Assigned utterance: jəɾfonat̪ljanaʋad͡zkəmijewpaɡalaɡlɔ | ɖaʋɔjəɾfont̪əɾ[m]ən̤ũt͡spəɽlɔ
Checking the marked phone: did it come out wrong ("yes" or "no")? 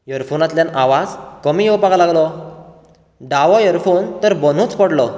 yes